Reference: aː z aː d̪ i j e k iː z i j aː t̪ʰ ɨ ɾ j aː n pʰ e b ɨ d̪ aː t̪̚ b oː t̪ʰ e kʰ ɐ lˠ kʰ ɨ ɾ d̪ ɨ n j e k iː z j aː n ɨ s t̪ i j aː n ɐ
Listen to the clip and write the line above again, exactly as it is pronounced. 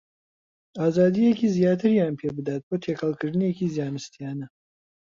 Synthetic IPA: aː z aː d̪ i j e k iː z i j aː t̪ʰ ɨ ɾ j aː n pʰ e b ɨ d̪ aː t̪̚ b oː t̪ʰ e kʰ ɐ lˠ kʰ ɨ ɾ d̪ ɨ n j e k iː z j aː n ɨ s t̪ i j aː n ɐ